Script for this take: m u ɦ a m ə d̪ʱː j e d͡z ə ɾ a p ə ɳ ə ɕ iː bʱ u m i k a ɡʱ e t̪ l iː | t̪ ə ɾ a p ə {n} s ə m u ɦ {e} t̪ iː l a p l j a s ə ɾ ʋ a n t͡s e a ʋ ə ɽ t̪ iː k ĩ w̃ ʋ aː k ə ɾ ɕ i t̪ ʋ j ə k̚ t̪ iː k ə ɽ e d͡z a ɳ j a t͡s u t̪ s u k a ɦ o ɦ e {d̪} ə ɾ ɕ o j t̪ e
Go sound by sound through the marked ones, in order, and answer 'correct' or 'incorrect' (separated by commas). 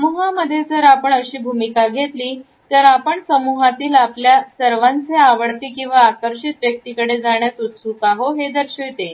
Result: incorrect, incorrect, correct